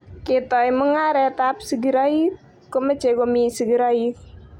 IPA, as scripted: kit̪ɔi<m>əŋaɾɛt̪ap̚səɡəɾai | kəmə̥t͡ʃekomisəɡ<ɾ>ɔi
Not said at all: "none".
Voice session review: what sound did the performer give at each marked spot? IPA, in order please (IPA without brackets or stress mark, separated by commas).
m, ɾ